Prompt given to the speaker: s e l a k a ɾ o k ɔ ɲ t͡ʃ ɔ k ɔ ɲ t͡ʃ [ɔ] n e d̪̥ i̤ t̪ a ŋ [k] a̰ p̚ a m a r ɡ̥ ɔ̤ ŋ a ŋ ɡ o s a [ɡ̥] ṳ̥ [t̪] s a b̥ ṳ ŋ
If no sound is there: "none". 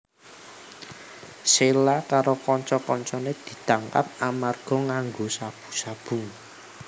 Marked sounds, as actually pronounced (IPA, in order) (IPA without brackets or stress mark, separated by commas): ɔ, k, b̥, none